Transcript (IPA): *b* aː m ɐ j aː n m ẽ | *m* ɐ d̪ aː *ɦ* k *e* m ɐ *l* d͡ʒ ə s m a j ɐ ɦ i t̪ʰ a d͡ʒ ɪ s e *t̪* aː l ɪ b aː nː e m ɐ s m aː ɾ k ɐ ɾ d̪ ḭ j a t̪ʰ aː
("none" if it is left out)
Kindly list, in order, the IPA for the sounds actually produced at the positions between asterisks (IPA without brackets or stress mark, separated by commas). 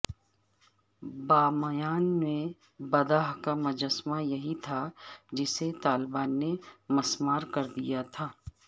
b, b, ɦ, a, none, t̪